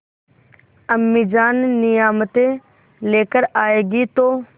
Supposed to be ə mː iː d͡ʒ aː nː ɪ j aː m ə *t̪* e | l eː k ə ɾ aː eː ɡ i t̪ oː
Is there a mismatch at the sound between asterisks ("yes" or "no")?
no